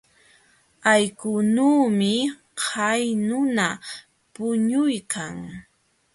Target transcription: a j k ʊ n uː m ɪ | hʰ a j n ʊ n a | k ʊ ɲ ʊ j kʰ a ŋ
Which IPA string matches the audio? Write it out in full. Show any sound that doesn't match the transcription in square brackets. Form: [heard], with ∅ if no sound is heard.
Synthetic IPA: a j k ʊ n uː m ɪ | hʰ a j n ʊ n a | [p] ʊ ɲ ʊ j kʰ a ŋ